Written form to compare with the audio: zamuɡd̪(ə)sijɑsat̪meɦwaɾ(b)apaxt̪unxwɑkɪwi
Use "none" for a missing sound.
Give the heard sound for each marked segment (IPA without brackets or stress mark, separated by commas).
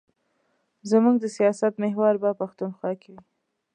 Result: ə, b